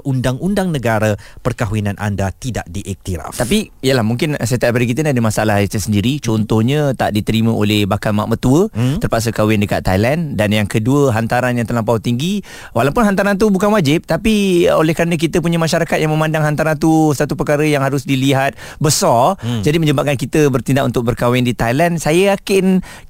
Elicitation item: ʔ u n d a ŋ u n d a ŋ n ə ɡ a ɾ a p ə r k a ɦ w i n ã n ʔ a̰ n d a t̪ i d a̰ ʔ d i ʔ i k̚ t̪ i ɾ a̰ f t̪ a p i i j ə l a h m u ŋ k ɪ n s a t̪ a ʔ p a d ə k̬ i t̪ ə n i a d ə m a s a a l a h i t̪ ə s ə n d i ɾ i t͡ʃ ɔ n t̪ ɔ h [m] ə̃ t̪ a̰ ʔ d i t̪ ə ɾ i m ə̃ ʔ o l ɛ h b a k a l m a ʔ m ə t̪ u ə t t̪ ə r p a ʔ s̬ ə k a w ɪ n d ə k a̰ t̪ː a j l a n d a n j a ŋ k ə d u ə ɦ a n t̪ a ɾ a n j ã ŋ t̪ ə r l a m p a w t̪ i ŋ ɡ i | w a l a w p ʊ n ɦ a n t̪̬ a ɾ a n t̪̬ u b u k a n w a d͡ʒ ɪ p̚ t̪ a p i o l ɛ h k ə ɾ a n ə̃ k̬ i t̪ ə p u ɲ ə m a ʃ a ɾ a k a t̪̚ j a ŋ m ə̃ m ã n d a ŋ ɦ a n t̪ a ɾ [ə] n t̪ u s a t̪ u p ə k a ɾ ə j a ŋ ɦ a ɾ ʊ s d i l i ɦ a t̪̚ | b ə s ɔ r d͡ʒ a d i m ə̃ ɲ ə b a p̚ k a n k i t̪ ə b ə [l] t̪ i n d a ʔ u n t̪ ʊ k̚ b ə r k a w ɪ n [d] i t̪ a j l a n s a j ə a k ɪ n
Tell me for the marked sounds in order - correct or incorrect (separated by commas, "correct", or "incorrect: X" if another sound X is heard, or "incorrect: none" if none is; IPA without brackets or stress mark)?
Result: incorrect: ɲ, incorrect: a, incorrect: r, correct